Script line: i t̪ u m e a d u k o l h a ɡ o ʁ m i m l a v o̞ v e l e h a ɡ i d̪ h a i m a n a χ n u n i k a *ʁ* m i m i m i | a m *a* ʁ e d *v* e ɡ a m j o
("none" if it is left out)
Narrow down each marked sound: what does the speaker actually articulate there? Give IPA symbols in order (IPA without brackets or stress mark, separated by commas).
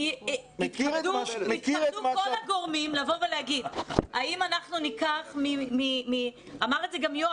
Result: χ, a, z